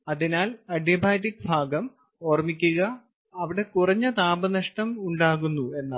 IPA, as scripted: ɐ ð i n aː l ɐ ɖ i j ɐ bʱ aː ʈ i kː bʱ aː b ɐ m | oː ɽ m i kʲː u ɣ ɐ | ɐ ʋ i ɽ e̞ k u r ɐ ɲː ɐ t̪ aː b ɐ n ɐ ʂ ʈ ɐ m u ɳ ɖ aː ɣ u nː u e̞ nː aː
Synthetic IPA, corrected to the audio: ɐ ð i n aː l ɐ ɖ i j ɐ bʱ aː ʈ i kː bʱ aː ɡ ɐ m | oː r m i kʲː u ɣ ɐ | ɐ ʋ i ɽ e̞ k u r ɐ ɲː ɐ t̪ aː b ɐ n ɐ ʂ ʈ ɐ m u ɳ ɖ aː ɣ u nː u e̞ nː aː